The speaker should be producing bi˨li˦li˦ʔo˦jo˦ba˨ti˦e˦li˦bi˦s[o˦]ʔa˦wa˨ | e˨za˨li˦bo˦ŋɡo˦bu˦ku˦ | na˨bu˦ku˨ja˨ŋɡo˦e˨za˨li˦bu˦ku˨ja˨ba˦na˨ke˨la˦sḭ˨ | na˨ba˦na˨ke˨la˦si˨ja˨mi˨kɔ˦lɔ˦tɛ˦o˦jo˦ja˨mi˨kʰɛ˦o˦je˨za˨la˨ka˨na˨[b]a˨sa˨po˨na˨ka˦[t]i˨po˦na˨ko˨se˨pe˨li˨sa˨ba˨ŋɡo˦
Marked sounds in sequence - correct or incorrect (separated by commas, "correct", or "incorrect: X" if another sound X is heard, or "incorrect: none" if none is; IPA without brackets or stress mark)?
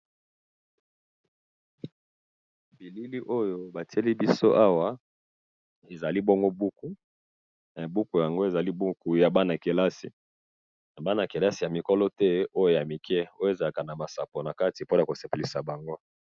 correct, incorrect: m, correct